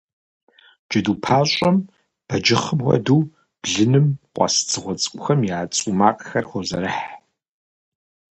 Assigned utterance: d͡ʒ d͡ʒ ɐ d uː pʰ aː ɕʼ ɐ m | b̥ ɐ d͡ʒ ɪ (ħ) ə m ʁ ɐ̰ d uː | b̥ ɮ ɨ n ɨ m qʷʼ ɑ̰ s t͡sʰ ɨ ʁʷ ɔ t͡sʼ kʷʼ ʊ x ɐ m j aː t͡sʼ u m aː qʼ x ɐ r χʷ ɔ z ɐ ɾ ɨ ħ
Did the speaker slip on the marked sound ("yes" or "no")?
yes